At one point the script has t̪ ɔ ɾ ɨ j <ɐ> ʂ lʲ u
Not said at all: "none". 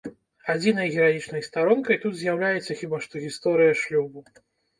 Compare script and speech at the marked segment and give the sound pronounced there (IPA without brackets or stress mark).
ɐ